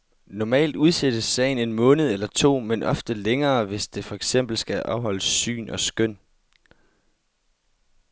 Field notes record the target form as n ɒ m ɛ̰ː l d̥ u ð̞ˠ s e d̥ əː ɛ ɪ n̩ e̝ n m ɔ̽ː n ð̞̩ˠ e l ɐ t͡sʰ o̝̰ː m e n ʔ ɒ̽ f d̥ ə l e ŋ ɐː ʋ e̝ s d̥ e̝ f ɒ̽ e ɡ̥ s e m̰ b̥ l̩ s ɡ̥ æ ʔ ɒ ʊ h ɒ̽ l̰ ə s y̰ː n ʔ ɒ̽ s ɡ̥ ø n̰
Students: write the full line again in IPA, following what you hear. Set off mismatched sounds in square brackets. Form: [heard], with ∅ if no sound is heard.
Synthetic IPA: n ɒ m ɛ̰ː l d̥ u ð̞ˠ s e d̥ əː ɛ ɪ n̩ e̝ n m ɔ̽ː n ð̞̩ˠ e l ɐ t͡sʰ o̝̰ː m e n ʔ ɒ̽ f d̥ ə l e ŋ ɐː ʋ e̝ s d̥ e̝ f ɒ̽ e ɡ̥ s e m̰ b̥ l̩ s ɡ̥ æ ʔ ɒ ʊ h ɒ̽ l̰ ə s y̰ː n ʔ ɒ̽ s ɡ̥ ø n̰